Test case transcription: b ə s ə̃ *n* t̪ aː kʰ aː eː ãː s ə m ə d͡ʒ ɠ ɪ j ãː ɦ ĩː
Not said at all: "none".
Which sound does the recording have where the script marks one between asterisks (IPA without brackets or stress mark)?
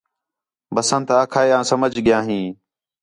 n